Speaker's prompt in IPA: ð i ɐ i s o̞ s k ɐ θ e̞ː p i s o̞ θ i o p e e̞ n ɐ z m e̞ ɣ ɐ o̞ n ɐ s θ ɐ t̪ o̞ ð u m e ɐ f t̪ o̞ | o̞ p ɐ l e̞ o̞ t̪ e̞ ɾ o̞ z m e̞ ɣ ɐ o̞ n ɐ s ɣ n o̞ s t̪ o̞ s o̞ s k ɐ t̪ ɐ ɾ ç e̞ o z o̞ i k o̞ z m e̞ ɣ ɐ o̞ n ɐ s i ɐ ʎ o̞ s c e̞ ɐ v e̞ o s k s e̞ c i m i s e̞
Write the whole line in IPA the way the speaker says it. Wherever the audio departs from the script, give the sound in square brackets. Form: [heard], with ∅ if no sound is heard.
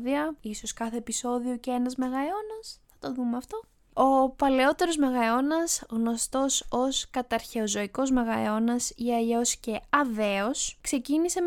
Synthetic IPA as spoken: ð i ɐ i s o̞ s k ɐ θ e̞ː p i s o̞ [ð] i o [c] e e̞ n ɐ z m e̞ ɣ ɐ o̞ n ɐ s θ ɐ t̪ o̞ ð u m e ɐ f t̪ o̞ | o̞ p ɐ l e̞ o̞ t̪ e̞ ɾ o̞ z m e̞ ɣ ɐ o̞ n ɐ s ɣ n o̞ s t̪ o̞ s o̞ s k ɐ t̪ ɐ ɾ ç e̞ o z o̞ i k o̞ z m e̞ ɣ ɐ o̞ n ɐ s i ɐ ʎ o̞ s c e̞ ɐ v e̞ o s k s e̞ c i [n] i s e̞